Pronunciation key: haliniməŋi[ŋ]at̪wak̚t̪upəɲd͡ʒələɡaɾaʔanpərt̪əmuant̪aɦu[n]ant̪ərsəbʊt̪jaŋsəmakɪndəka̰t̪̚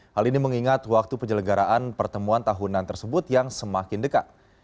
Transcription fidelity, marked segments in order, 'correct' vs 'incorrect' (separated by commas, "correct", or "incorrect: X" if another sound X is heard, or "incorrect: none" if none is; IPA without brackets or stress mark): correct, correct